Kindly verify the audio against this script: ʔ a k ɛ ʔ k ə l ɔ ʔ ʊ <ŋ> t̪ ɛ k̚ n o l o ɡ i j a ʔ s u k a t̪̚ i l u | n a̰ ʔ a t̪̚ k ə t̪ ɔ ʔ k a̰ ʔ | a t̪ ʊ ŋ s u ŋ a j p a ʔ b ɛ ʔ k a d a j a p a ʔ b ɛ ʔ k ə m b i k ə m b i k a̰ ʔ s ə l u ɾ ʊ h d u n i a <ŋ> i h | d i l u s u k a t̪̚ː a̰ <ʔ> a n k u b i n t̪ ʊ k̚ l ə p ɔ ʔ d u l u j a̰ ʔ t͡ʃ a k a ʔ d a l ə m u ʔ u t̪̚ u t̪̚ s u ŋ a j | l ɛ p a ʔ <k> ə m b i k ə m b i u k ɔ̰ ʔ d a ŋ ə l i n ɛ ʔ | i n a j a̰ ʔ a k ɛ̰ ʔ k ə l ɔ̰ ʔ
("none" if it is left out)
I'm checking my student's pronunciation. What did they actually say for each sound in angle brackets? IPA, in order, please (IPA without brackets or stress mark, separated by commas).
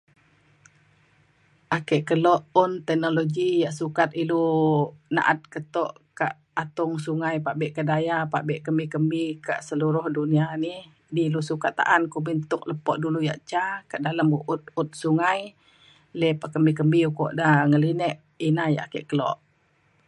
n, n, ʔ, k